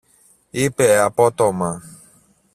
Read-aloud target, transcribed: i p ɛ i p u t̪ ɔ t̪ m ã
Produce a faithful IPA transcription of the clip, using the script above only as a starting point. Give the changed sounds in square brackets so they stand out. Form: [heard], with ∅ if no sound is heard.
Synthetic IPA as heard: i p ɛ [a] p [ɔ] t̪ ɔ [∅] m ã